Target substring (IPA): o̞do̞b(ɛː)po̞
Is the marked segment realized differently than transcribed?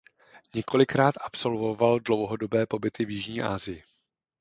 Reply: no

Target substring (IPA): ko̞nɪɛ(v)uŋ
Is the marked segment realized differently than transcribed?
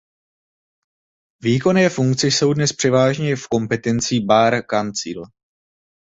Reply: yes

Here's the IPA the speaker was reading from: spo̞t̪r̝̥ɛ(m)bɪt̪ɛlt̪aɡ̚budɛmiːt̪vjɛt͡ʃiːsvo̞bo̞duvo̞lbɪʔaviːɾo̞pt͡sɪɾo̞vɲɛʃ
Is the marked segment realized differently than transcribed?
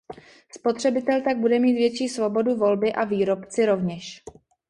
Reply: yes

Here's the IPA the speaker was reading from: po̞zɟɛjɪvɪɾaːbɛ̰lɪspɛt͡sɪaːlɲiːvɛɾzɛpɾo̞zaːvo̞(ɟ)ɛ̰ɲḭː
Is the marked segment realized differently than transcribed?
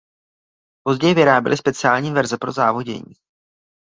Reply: no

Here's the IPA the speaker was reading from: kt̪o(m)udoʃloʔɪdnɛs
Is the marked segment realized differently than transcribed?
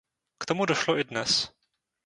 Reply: no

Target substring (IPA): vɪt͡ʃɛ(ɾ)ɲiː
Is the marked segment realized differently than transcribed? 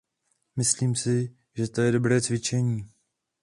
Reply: yes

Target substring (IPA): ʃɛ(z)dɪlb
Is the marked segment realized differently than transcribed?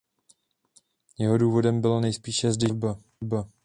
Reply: no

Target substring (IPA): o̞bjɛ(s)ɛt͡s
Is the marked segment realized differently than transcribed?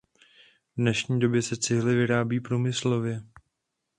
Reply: no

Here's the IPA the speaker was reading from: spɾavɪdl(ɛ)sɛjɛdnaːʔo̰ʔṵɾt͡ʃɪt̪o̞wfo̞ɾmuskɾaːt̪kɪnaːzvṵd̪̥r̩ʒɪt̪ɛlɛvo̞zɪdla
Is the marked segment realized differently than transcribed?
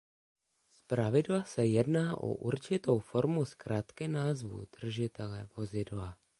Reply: yes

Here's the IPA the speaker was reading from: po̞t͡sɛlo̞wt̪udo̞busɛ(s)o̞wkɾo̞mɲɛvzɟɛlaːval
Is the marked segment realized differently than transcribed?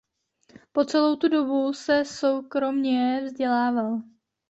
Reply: no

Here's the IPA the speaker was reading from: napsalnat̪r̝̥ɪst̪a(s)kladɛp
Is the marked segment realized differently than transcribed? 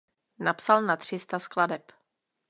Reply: no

